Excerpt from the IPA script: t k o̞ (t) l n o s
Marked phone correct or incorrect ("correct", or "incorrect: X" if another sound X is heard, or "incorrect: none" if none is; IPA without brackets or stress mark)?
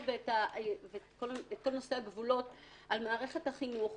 incorrect: none